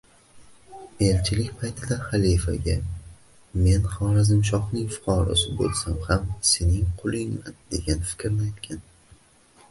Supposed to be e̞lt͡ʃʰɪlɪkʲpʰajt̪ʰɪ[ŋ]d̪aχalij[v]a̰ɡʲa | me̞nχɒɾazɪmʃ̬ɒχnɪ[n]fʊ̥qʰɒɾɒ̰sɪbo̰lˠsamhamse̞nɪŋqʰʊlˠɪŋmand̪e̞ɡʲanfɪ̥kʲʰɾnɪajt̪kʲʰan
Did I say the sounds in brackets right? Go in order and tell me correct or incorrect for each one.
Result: incorrect: none, incorrect: f, incorrect: ŋ

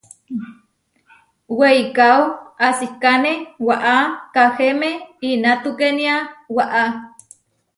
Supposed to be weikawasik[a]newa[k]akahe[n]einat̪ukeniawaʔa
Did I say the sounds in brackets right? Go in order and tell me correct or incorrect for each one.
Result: correct, incorrect: ʔ, incorrect: m

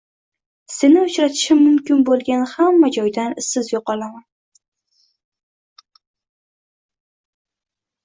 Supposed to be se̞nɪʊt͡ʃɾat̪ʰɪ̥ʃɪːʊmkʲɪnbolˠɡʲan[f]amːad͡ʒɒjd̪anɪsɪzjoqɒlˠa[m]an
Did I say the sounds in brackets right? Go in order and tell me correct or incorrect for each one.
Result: incorrect: h, correct

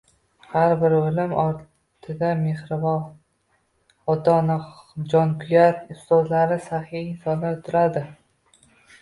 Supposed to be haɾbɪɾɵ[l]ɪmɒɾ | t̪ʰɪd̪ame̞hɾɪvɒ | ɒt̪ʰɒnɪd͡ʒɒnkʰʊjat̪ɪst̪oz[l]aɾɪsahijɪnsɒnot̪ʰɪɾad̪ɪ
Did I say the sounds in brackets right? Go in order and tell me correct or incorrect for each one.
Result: correct, correct

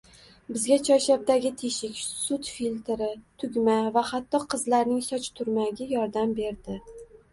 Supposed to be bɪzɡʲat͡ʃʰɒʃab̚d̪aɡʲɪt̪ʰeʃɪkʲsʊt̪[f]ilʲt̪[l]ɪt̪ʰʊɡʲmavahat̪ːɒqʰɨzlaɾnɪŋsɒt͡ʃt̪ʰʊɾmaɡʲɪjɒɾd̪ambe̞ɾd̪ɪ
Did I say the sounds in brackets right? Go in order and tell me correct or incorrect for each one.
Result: correct, incorrect: ɾ

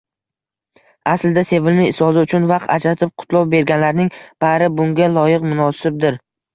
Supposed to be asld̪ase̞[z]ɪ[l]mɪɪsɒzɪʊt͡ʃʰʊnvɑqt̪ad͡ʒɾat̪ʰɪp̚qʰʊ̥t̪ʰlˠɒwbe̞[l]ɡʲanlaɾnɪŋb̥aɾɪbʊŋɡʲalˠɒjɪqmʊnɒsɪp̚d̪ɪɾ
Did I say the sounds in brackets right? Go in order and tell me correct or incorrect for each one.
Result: incorrect: v, correct, incorrect: ɾ

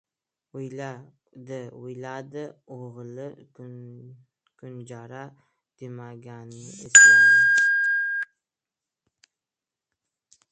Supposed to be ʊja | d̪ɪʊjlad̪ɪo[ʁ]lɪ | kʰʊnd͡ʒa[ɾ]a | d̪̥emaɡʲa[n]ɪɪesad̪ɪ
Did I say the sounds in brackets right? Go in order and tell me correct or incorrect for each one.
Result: correct, correct, correct

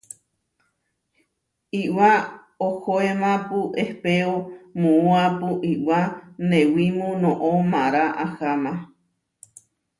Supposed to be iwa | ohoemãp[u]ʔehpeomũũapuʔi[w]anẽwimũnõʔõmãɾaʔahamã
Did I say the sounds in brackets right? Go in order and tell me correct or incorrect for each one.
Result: correct, correct

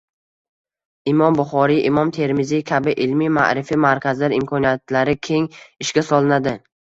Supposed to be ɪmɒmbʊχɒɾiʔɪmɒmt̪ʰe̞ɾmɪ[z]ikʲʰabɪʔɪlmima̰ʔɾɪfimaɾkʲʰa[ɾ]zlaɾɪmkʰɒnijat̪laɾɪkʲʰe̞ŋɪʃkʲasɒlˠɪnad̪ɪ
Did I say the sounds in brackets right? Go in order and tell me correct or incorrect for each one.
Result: correct, incorrect: none

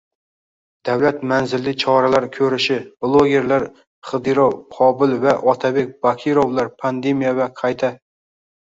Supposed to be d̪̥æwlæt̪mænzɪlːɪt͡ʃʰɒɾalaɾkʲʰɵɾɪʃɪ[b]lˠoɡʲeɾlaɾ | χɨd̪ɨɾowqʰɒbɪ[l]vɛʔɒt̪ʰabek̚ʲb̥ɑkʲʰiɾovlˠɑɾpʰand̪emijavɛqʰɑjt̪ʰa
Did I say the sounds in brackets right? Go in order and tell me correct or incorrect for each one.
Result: correct, correct

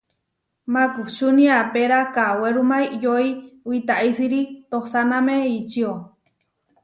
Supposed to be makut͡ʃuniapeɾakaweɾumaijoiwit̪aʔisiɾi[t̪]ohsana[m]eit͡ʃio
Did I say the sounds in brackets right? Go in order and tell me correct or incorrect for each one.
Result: correct, correct

